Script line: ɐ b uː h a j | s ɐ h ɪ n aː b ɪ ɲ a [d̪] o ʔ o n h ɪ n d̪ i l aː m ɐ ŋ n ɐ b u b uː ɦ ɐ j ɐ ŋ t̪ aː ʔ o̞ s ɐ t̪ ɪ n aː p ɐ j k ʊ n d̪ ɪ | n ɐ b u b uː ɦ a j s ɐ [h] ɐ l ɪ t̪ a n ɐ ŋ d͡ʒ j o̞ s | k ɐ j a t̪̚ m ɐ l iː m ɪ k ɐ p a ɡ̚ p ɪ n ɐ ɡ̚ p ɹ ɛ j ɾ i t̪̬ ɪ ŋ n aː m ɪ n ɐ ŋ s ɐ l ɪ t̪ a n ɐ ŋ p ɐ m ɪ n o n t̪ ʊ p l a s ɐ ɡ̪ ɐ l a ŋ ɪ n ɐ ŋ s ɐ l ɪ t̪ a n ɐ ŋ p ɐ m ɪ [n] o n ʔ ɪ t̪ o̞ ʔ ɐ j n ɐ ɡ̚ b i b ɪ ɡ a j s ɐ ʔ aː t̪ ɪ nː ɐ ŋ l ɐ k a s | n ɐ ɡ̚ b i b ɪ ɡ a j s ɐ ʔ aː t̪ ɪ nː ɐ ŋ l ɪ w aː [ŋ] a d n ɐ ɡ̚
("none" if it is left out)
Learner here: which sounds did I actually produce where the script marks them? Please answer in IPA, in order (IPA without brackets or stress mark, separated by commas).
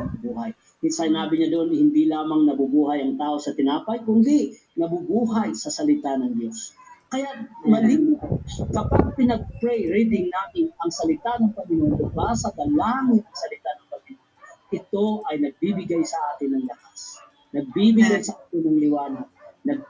d̪, s, n, n